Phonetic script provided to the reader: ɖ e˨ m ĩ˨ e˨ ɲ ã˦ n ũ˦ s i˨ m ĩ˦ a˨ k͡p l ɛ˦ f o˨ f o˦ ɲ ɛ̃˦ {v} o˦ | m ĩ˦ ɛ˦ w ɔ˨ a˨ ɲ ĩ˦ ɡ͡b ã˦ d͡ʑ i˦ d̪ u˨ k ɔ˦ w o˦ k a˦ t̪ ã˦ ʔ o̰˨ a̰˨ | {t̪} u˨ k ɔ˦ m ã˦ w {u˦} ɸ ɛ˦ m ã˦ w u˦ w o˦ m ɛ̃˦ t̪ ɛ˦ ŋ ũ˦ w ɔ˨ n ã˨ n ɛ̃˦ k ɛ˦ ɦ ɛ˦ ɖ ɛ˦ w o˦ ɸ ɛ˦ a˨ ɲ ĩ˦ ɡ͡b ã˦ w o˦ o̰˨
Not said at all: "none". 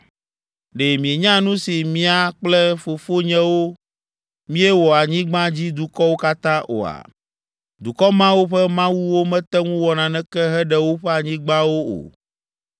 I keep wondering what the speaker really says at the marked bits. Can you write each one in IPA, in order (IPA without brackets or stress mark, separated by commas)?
w, d̪, o˦